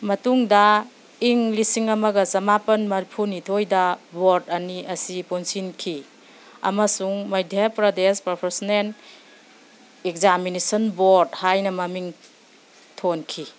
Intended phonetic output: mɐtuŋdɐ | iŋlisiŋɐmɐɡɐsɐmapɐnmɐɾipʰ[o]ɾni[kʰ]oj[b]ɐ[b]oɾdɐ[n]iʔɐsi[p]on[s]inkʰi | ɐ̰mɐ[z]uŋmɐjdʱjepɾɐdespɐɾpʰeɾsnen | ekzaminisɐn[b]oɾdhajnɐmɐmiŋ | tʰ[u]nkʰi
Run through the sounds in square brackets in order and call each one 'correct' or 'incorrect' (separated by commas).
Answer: incorrect, incorrect, incorrect, correct, correct, correct, correct, incorrect, correct, incorrect